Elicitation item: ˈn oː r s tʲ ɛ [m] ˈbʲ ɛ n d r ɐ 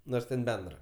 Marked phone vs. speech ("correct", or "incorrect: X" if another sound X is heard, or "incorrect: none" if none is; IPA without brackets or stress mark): incorrect: n